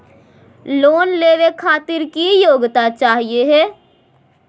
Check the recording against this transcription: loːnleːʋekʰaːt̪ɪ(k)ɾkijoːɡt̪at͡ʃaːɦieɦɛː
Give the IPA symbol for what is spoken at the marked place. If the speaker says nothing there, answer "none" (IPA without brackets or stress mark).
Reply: none